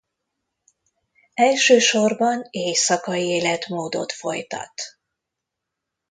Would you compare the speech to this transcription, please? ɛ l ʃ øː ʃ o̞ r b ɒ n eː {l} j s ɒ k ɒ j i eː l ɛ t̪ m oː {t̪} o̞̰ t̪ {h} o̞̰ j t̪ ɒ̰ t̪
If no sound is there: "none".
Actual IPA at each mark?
none, d̪, f

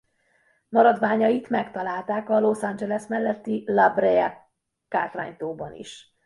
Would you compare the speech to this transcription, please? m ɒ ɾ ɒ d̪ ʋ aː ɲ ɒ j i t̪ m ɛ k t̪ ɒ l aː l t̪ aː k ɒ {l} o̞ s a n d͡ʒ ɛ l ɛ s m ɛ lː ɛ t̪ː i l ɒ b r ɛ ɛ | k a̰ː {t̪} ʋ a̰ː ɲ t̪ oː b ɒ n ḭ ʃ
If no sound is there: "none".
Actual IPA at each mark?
l, t̪

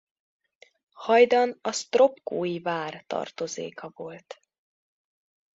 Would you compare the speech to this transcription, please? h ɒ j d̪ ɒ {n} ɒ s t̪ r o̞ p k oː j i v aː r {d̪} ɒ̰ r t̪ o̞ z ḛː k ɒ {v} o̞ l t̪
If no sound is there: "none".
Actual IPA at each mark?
n, t̪, v

